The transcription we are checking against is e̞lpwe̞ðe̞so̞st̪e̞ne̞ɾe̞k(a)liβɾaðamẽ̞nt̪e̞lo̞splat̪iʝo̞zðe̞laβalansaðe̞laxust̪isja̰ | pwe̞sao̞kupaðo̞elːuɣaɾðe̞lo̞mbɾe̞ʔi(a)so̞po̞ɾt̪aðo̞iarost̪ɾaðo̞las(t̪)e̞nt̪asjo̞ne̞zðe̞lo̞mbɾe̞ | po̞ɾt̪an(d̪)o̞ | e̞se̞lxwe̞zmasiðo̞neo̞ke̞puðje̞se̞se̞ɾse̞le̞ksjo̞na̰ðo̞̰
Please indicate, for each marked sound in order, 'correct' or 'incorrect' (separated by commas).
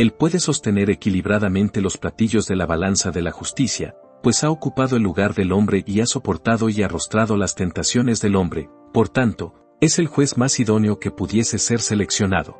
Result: incorrect, correct, correct, incorrect